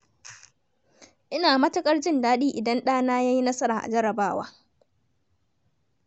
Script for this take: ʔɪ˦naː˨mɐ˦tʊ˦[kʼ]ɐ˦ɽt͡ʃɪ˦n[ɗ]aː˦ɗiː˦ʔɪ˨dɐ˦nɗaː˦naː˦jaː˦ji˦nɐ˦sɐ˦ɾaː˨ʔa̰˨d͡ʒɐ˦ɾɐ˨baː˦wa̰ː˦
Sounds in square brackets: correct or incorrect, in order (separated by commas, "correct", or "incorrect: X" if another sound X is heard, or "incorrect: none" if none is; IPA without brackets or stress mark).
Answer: correct, incorrect: d